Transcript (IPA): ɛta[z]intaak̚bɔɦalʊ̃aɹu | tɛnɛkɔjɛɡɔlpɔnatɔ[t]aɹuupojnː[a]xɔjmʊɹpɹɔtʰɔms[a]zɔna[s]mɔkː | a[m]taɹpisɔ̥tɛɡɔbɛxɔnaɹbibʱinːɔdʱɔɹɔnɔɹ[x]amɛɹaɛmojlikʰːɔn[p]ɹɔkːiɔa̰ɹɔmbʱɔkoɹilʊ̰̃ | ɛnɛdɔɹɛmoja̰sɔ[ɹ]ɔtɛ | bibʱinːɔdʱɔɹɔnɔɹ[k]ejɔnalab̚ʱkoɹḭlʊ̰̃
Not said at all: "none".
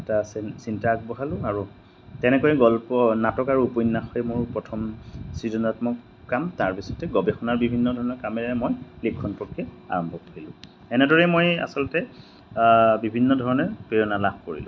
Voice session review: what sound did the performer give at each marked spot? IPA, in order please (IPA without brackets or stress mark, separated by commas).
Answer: s, k, a, i, t, m, k, p, l, p